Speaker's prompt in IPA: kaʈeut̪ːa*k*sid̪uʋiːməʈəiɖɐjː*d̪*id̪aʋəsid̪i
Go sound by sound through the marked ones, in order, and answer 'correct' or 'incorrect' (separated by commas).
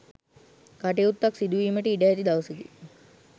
correct, incorrect